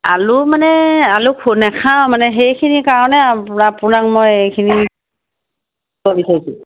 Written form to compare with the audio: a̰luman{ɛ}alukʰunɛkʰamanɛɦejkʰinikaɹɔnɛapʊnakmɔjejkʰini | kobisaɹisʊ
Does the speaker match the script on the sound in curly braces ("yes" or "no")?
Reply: yes